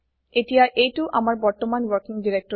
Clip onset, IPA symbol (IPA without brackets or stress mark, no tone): e